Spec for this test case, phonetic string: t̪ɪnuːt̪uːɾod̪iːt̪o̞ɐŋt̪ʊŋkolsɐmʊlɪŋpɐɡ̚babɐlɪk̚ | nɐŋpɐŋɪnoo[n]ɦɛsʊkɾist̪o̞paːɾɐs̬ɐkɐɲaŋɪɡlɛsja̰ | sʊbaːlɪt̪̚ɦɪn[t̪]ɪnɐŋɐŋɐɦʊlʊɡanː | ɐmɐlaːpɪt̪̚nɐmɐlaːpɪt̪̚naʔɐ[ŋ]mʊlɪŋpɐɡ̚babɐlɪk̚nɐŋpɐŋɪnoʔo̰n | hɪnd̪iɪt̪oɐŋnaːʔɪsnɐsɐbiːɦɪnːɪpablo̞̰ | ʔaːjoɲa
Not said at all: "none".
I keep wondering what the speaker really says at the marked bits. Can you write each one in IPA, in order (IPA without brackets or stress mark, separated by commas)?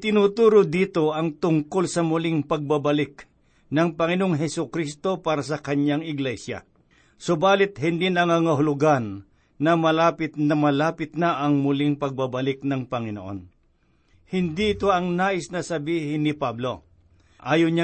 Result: ŋ, d̪, ŋ